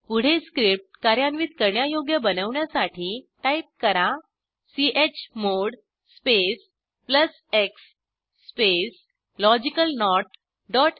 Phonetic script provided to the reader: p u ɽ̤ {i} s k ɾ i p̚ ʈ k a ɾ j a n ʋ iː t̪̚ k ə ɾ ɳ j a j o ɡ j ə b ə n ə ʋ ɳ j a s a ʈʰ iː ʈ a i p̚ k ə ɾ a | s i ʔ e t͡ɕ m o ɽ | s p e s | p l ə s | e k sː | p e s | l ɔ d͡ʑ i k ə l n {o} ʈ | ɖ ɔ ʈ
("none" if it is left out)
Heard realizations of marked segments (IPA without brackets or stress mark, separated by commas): e, ɔ